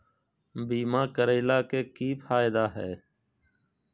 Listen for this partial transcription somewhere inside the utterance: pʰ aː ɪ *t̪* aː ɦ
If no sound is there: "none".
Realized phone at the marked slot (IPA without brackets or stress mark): d̪